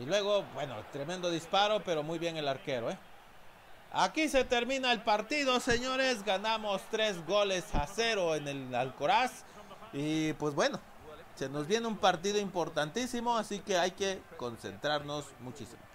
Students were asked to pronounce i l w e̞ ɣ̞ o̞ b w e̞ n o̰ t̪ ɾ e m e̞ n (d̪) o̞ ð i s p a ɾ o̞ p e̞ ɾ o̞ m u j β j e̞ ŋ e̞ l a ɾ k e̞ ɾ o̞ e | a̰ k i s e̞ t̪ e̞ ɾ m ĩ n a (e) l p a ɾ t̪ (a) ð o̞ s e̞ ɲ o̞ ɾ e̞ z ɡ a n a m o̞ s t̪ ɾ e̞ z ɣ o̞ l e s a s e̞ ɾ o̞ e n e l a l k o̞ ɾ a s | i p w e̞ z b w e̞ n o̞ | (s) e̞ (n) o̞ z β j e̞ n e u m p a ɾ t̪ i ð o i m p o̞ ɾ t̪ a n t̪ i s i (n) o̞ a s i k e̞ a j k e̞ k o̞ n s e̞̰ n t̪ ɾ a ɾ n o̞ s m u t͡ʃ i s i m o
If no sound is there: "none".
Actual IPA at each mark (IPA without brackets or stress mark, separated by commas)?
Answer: d̪, e, i, s, n, m